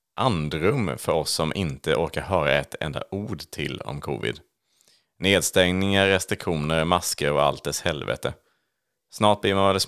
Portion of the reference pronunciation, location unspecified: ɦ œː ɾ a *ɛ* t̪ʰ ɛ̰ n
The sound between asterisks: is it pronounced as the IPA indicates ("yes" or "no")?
yes